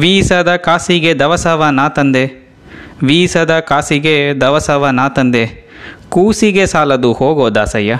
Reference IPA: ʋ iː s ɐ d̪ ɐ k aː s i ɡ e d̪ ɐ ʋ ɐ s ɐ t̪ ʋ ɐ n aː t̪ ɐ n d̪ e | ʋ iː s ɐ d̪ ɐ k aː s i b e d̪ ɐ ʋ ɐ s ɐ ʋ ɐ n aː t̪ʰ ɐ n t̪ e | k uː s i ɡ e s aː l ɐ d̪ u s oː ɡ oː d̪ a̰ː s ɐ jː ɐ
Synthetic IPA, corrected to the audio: ʋ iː s ɐ d̪ ɐ k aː s i ɡ e d̪ ɐ ʋ ɐ s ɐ ʋ ɐ n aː t̪ ɐ n d̪ e | ʋ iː s ɐ d̪ ɐ k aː s i ɡ e d̪ ɐ ʋ ɐ s ɐ ʋ ɐ n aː t̪ ɐ n d̪ e | k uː s i ɡ e s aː l ɐ d̪ u h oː ɡ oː d̪ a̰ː s ɐ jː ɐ